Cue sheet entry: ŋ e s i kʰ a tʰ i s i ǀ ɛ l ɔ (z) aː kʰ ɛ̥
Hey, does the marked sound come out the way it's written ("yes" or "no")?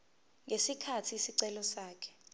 no